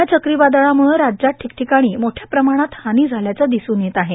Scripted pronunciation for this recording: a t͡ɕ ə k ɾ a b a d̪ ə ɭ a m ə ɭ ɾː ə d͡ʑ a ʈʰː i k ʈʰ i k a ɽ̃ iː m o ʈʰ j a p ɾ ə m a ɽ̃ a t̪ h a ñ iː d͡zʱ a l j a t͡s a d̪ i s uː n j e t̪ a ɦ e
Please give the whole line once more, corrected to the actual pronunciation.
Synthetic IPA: a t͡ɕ ə k ɾ i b a d̪ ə ɭ a m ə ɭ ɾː a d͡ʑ a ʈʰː i k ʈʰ i k a ɽ̃ iː m o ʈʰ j a p ɾ ə m a ɽ̃ a t̪ h a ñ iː d͡zʱ a l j a t͡s a d̪ i s uː n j e t̪ a ɦ e

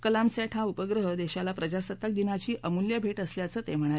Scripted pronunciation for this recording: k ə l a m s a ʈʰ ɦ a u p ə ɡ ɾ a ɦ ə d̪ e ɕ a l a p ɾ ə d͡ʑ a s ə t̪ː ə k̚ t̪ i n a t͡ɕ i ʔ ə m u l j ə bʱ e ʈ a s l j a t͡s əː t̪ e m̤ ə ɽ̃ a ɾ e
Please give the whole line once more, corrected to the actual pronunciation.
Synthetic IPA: k ə l a m s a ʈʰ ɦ a u p ə ɡ ɾ ə ɦ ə d̪ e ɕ a l a p ɾ ə d͡ʑ a s ə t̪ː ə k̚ d̪ i n a t͡ɕ iː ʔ ə m u l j ə bʱ e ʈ ə s l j a t͡s əː t̪ e m̤ ə ɽ̃ a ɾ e

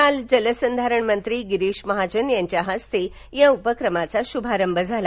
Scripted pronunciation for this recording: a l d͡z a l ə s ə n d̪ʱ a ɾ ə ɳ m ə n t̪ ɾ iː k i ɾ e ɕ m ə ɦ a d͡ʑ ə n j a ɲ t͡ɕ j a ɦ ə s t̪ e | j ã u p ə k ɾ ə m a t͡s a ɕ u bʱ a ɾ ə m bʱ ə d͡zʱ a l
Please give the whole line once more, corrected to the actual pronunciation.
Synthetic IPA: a l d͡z ə l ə s ə n d̪ʱ a ɾ ə ɳ m ə n t̪ ɾ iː ɡ i ɾ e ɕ m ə ɦ a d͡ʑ ə n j a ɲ t͡ɕ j a ɦ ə s t̪ e | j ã u p ə k ɾ ə m a t͡s a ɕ u bʱ a ɾ ə m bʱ ə d͡zʱ a l

